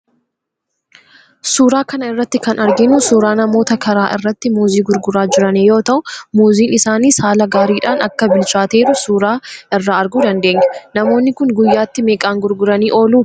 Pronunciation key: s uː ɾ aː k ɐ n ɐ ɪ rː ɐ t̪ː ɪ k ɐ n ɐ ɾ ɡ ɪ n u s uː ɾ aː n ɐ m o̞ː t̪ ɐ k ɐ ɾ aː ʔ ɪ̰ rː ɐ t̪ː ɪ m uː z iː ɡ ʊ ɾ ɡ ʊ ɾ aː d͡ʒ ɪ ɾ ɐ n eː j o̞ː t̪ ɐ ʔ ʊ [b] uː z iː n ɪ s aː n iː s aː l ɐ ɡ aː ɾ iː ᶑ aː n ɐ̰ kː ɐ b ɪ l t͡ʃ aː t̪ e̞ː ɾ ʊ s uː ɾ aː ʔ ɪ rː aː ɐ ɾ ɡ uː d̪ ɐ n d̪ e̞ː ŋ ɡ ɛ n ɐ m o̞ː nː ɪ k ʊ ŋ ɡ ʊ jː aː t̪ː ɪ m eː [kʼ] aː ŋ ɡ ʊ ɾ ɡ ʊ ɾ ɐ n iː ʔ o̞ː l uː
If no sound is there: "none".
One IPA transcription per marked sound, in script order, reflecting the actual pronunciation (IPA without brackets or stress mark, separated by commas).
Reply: m, kʼ